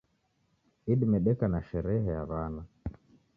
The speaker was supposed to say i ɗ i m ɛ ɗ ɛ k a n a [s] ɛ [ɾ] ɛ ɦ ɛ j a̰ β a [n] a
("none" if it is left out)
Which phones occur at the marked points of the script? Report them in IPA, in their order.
ʃ, ɾ, n

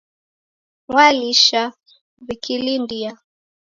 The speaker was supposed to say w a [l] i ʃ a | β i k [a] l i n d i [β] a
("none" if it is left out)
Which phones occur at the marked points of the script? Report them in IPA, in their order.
l, i, none

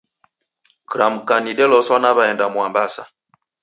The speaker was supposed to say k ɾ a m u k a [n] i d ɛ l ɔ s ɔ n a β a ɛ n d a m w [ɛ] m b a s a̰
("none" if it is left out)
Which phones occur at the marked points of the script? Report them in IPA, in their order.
n, a

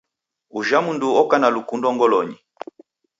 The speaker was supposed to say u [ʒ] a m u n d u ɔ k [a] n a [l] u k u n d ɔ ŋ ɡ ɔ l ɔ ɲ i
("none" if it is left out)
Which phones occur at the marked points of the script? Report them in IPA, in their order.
ʒ, a, l

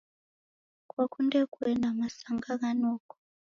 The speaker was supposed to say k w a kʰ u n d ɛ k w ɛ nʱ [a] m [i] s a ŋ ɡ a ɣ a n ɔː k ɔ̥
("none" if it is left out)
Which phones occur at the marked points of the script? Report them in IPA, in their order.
a, a

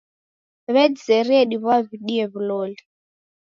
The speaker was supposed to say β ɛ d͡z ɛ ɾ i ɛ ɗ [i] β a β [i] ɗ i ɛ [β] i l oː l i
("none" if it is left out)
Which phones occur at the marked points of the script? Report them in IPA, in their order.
i, i, β

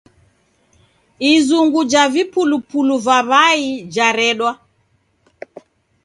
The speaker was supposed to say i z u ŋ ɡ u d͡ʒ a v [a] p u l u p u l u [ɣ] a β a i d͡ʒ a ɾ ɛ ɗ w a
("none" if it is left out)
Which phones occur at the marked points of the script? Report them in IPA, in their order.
i, v

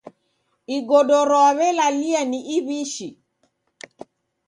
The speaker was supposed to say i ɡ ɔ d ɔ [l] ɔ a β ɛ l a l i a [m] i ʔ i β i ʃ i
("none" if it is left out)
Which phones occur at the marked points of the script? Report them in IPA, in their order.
ɾ, n

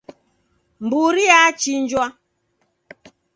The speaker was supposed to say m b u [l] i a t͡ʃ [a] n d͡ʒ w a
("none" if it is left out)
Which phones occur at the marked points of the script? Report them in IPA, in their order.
ɾ, i

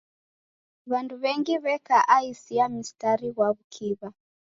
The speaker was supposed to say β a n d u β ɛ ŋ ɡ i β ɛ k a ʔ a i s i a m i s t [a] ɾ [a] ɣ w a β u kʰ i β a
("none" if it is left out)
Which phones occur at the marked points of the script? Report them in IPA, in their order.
a, i

